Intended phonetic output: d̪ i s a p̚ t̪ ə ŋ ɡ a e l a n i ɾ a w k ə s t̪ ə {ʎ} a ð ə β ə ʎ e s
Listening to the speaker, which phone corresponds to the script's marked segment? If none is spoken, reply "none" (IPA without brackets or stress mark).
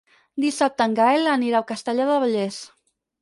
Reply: ʎ